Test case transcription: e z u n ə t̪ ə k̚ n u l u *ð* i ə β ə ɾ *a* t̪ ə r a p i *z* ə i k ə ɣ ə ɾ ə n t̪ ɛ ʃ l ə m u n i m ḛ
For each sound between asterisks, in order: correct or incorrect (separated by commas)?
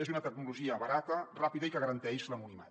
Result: incorrect, correct, incorrect